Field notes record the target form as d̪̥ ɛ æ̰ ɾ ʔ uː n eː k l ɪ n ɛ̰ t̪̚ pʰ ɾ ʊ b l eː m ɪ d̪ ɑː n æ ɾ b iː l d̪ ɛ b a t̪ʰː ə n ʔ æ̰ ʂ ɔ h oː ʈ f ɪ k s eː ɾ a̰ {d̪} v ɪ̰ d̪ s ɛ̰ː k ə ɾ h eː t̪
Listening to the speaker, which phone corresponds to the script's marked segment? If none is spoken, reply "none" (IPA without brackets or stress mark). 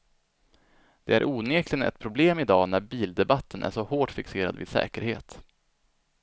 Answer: d̪